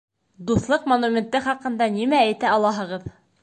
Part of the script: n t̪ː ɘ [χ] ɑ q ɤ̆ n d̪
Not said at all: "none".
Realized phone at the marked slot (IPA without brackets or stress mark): χ